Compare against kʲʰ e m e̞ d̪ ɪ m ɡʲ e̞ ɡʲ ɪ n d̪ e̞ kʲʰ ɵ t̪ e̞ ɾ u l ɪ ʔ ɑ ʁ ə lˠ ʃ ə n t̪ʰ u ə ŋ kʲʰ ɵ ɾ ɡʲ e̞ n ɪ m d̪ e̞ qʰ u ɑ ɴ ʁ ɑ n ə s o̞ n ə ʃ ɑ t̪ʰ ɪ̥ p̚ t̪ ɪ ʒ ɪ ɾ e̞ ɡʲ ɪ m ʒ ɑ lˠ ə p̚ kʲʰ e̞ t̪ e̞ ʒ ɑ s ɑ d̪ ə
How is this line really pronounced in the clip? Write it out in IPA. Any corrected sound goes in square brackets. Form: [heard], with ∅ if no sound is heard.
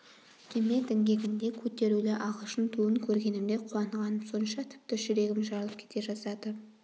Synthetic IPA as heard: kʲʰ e m e̞ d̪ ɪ [ŋ] ɡʲ e̞ ɡʲ ɪ n d̪ e̞ kʲʰ ɵ t̪ e̞ ɾ u l ɪ ʔ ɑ ʁ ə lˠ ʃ ə n t̪ʰ u ə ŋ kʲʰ ɵ ɾ ɡʲ e̞ n ɪ m d̪ e̞ qʰ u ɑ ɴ ʁ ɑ n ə s o̞ n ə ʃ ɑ t̪ʰ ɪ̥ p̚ t̪ ɪ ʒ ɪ ɾ e̞ ɡʲ ɪ m ʒ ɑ lˠ ə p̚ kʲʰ e̞ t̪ e̞ ʒ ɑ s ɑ d̪ ə

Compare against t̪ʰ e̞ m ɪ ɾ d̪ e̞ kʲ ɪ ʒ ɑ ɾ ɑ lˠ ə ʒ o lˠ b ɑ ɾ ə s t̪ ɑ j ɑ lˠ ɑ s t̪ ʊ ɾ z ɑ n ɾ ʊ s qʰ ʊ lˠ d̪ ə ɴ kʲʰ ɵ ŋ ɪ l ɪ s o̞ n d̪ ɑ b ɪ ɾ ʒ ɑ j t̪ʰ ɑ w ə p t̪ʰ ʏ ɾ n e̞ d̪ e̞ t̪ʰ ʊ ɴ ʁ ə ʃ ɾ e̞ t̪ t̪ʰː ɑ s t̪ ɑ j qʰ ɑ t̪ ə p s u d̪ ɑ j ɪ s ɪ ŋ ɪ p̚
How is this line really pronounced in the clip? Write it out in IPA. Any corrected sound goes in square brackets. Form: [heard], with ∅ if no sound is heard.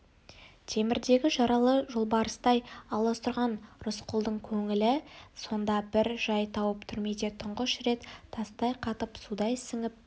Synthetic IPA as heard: t̪ʰ e̞ m ɪ ɾ d̪ e̞ [ɡʲ] ɪ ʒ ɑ ɾ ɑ lˠ ə ʒ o lˠ b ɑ ɾ ə s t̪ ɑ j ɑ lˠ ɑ s t̪ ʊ ɾ [ʁ] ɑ n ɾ ʊ s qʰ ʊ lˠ d̪ ə ɴ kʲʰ ɵ ŋ ɪ l ɪ s o̞ n d̪ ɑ b ɪ ɾ ʒ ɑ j t̪ʰ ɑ w ə p t̪ʰ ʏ ɾ [m] e̞ d̪ e̞ t̪ʰ ʊ ɴ ʁ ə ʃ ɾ e̞ t̪ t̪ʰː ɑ s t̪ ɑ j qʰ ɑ t̪ ə p s u d̪ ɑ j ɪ s ɪ ŋ ɪ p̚

